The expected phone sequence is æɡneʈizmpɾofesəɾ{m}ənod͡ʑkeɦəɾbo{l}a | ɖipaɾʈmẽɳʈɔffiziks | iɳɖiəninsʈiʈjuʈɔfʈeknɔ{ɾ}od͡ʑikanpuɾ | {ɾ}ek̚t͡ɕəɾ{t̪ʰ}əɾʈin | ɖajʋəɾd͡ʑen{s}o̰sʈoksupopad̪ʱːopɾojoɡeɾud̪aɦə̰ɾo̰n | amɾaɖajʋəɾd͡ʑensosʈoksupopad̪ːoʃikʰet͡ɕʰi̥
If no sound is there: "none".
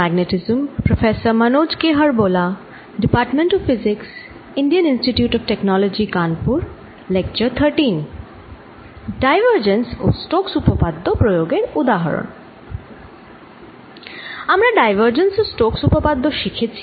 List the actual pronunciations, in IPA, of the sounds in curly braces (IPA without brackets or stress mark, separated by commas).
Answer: m, l, l, l, t̪ʰ, s